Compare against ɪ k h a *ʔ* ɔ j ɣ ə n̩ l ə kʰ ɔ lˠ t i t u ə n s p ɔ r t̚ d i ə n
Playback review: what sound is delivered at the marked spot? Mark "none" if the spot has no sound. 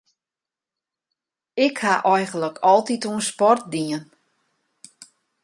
ʔ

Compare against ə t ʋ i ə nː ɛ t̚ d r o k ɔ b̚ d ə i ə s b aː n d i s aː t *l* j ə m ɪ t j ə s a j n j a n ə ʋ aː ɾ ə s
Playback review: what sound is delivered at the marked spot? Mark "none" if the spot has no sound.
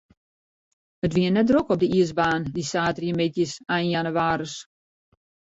r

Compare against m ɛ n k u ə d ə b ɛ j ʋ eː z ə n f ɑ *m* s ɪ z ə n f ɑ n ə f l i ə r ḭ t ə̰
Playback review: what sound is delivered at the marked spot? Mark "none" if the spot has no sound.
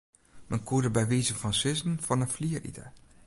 n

